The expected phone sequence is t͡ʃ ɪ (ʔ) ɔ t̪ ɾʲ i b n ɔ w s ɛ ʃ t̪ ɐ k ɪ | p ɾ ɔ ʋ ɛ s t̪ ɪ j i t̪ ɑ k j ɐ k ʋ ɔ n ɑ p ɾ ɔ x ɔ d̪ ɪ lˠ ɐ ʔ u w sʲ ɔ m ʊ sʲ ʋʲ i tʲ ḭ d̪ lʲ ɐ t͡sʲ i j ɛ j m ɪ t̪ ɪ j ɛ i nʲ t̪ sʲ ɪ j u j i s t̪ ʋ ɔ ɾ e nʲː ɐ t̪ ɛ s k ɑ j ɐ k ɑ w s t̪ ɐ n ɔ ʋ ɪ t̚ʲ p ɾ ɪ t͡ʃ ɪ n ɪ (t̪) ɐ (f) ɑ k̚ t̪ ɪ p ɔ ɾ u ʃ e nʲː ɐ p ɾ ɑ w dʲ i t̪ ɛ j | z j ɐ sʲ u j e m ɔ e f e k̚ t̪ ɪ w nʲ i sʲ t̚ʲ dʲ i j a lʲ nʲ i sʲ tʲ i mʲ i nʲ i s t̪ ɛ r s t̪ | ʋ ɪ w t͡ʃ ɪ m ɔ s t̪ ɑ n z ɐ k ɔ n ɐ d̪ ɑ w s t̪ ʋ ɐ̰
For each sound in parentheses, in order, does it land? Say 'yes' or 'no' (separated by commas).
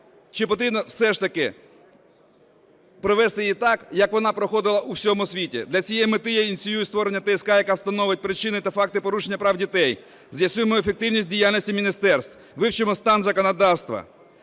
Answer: no, yes, yes